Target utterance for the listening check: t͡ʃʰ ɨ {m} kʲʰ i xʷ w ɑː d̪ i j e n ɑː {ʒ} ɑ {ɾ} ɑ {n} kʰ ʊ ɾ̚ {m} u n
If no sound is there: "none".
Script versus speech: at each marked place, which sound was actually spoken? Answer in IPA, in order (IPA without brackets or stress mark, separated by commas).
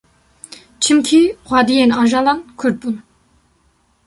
m, ʒ, l, n, b